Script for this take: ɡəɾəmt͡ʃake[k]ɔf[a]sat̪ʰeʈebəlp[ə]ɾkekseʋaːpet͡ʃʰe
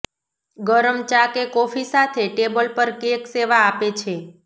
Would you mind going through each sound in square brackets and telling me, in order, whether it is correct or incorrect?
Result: correct, incorrect: i, correct

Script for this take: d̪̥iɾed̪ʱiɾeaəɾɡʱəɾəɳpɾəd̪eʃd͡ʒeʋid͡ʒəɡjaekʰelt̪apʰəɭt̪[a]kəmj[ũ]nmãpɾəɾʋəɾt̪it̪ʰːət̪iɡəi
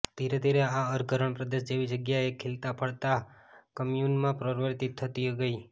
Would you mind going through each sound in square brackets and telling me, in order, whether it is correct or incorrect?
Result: correct, incorrect: u

